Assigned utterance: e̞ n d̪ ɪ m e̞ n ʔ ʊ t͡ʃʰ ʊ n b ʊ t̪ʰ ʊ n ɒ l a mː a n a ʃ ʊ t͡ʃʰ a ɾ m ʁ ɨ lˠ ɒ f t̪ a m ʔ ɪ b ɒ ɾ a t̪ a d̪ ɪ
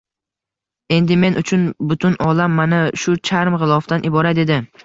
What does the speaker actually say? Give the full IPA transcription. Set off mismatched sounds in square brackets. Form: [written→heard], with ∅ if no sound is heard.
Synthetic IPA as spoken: e̞ n d̪ ɪ m e̞ n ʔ ʊ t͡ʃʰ ʊ n b ʊ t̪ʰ ʊ n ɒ l a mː a n a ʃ ʊ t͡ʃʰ a ɾ m ʁ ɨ lˠ ɒ f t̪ a [m→n] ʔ ɪ b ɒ ɾ a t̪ [a→e] d̪ ɪ